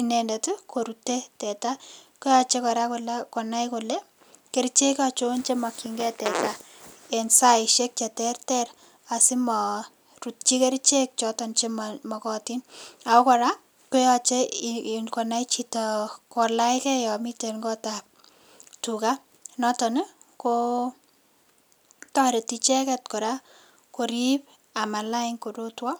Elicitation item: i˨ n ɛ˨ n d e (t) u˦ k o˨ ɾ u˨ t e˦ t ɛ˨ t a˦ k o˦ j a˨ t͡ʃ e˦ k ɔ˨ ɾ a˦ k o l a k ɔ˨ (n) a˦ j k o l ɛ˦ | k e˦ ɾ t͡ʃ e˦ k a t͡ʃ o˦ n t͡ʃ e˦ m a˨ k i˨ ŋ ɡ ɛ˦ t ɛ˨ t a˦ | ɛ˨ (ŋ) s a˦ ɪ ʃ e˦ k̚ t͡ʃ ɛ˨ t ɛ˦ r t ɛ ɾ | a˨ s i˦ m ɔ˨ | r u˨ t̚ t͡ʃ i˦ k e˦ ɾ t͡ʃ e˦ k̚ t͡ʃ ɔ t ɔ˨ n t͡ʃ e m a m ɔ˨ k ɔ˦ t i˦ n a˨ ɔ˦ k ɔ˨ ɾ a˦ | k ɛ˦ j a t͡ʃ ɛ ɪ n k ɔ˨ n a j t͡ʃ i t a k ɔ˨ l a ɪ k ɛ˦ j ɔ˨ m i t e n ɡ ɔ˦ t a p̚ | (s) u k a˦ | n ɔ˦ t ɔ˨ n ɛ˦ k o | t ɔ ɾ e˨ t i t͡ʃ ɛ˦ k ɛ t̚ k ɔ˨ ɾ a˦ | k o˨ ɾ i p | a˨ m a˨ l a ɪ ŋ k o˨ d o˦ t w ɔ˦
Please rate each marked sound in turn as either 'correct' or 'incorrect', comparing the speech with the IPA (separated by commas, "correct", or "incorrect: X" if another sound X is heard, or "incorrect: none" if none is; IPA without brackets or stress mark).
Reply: correct, correct, incorrect: n, incorrect: t